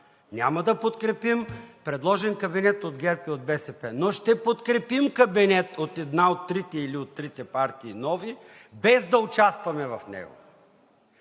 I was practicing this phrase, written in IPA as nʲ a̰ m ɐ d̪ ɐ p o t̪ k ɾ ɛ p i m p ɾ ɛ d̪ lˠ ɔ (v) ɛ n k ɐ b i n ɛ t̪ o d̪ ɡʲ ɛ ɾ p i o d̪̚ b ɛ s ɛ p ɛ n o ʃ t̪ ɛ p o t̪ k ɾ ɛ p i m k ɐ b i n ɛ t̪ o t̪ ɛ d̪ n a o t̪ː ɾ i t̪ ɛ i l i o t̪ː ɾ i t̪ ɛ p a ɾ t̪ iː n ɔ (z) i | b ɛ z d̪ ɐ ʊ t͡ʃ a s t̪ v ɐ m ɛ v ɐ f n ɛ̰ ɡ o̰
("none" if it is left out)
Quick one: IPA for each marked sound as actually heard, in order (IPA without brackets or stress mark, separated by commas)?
ʒ, v